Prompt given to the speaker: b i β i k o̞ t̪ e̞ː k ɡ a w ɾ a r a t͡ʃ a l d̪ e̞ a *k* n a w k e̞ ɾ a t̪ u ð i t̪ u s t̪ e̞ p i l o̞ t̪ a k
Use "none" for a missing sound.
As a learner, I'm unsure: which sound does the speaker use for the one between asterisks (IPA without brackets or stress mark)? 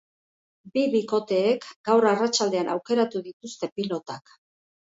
none